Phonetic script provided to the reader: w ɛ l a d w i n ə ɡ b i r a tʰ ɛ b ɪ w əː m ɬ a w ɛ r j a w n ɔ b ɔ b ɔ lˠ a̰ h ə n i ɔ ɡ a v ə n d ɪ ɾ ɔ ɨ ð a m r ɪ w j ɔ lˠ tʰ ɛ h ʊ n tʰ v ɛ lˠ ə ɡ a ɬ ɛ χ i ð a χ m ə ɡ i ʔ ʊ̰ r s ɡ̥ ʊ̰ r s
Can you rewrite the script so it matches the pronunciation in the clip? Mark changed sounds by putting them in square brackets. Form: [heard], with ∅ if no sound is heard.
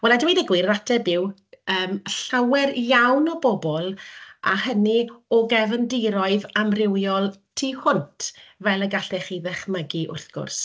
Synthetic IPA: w ɛ l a d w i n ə ɡ [w] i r a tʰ ɛ b ɪ w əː m ɬ a w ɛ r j a w n ɔ b ɔ b ɔ lˠ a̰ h ə n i ɔ ɡ [ɛ] v ə n d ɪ ɾ ɔ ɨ ð a m r ɪ w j ɔ lˠ tʰ [i] h ʊ n tʰ v ɛ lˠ ə ɡ a ɬ ɛ χ i ð [ɛ] χ m ə ɡ i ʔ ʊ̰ r [θ] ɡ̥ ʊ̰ r s